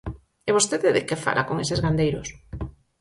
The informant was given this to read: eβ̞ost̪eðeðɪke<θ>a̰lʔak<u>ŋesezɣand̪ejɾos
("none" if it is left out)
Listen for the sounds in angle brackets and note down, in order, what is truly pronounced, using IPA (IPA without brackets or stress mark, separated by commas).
f, o